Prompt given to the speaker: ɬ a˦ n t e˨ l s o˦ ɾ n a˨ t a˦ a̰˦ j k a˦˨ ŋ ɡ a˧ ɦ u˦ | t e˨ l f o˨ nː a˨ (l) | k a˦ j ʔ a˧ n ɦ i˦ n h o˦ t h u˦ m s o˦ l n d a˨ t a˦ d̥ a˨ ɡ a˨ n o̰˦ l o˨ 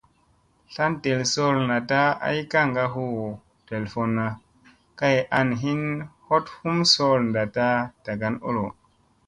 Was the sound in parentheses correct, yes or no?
no